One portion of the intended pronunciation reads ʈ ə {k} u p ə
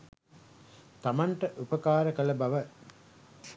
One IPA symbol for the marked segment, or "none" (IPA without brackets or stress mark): ʔ